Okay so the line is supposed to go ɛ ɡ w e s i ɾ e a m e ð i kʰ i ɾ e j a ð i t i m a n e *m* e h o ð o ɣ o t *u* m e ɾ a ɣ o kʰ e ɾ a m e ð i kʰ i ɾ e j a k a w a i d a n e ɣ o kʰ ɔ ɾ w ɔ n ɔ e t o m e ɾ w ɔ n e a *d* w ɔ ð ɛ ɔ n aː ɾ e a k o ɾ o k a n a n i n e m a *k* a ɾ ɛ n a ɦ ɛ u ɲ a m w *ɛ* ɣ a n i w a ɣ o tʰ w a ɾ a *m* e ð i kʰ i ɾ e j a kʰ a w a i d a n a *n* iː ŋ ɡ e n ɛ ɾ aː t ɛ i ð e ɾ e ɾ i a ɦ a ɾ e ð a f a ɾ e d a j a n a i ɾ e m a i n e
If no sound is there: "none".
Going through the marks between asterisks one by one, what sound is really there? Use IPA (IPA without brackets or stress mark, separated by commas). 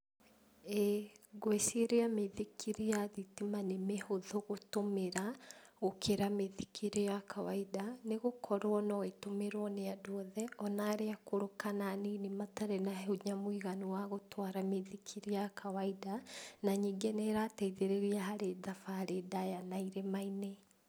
m, o, d, t, i, m, ɲ